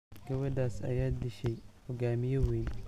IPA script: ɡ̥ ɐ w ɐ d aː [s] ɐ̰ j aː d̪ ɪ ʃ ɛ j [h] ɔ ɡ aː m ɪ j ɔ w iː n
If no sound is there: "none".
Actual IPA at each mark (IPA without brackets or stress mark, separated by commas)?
s, h